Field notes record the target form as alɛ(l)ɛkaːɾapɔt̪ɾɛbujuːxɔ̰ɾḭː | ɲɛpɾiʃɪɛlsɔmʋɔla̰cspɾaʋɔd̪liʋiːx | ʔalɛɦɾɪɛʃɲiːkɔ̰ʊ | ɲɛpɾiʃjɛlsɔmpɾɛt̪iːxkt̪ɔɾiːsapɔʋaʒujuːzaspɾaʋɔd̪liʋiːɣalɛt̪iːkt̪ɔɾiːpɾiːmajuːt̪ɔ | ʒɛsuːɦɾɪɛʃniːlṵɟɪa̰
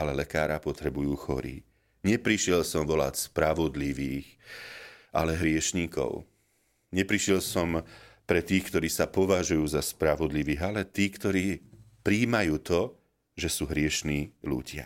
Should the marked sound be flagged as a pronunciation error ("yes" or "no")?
no